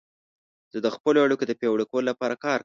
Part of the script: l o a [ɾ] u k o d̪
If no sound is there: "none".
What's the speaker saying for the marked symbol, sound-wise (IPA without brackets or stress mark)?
ɽ